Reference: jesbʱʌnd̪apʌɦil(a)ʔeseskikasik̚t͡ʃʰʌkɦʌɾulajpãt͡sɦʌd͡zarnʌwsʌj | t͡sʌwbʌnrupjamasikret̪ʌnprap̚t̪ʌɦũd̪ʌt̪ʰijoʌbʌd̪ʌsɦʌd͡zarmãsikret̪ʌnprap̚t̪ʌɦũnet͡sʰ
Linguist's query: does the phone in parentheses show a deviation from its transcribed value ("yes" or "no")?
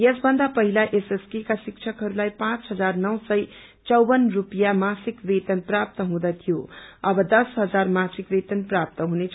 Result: no